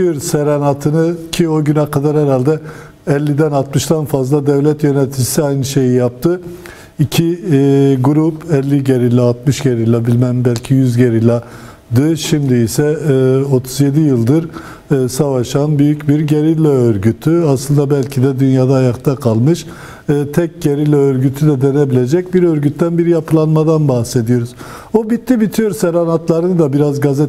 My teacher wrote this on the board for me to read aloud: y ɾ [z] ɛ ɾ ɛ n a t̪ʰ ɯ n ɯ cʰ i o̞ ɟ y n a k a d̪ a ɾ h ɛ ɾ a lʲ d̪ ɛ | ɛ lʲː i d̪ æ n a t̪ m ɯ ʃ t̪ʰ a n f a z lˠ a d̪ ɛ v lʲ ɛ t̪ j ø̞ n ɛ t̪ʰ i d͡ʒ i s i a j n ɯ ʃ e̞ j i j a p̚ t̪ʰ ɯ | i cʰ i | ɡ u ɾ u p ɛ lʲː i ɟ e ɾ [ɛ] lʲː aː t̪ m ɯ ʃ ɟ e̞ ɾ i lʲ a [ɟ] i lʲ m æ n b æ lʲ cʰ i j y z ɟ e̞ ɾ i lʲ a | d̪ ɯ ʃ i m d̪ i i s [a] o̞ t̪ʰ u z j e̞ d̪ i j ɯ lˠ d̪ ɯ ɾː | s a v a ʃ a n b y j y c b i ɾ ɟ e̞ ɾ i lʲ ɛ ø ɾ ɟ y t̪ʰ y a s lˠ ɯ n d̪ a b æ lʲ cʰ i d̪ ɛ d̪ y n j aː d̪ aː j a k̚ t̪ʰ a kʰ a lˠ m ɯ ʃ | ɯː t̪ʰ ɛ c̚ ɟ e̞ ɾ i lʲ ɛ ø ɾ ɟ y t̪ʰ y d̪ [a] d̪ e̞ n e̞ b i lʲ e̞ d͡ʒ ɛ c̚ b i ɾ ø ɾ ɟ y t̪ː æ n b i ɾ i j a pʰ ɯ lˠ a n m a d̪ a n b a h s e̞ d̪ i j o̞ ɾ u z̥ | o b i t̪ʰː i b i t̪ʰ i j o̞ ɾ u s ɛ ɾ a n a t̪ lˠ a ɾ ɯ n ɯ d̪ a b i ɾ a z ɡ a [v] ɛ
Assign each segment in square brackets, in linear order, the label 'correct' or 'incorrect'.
incorrect: s, incorrect: i, incorrect: b, incorrect: ɛ, incorrect: ɛ, incorrect: z

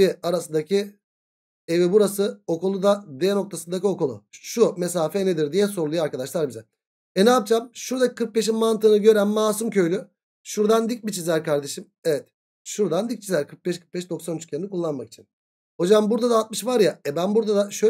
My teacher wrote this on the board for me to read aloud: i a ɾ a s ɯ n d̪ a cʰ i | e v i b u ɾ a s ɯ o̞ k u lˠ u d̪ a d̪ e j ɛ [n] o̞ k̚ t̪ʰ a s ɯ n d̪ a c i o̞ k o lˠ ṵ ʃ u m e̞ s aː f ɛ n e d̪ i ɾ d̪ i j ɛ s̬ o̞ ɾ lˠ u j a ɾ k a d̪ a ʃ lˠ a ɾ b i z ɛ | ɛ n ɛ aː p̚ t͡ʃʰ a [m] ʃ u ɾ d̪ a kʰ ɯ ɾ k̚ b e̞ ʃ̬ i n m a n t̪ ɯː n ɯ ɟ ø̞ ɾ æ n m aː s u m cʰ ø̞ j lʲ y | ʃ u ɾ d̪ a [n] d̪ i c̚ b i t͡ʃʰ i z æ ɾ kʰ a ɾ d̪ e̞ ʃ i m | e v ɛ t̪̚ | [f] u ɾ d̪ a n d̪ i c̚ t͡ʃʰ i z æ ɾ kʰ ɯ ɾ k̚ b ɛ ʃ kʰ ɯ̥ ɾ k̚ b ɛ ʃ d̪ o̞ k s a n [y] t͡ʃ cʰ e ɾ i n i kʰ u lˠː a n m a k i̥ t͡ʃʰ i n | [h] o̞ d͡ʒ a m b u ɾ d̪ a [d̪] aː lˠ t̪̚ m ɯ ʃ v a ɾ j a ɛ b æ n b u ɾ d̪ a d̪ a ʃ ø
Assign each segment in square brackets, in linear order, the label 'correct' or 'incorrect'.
correct, correct, correct, incorrect: ʃ, correct, correct, correct

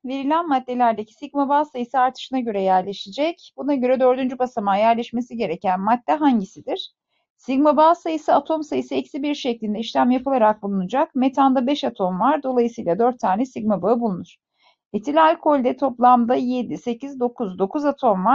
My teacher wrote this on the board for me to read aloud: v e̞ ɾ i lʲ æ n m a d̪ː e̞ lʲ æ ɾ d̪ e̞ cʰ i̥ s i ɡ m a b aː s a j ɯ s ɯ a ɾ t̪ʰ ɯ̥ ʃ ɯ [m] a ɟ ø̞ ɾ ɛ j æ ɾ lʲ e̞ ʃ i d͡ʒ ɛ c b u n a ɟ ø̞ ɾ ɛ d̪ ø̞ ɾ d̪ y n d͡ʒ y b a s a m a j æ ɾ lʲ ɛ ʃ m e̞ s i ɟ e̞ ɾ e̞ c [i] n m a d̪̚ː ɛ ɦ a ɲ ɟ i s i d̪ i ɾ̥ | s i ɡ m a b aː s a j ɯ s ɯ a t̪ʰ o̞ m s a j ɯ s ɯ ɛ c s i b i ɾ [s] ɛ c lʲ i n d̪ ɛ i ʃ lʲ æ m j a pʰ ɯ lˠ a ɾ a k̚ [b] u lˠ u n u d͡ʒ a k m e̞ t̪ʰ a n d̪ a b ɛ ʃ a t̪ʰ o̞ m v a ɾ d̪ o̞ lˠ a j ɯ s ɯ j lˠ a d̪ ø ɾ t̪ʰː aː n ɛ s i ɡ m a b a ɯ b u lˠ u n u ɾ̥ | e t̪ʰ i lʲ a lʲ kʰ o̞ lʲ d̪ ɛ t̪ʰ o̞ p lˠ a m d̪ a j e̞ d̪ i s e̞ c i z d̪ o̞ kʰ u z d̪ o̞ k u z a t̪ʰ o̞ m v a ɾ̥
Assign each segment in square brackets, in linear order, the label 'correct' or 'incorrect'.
incorrect: n, incorrect: æ, incorrect: ʃ, correct

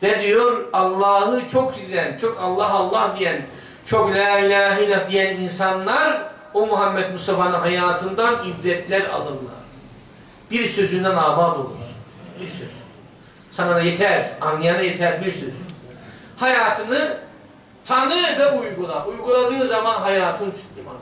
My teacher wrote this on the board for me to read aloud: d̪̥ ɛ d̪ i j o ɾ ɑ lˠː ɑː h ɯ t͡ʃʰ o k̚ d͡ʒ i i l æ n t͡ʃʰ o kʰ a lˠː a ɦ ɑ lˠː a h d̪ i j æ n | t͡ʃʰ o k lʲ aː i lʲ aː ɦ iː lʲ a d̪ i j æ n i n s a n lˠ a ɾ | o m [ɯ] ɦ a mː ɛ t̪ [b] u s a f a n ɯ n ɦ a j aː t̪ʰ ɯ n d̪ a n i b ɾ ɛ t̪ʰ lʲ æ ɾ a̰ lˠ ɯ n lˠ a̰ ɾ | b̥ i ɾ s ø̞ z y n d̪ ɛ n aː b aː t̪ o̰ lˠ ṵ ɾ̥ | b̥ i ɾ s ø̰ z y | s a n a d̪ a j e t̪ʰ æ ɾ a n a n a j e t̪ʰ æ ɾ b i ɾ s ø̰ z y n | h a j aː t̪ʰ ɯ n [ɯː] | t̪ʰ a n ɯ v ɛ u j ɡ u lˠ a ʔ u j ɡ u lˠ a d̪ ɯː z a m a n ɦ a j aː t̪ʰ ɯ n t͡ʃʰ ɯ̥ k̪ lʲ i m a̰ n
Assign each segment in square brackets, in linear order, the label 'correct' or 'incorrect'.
incorrect: u, incorrect: m, incorrect: ɯ

